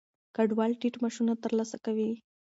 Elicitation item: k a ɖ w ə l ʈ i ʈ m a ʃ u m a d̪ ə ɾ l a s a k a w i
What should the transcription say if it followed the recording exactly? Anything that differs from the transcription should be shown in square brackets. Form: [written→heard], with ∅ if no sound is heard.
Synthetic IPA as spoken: k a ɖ w [ə→ɑ] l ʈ i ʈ m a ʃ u [m→n] a [d̪→t̪] ə ɾ l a s a k a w i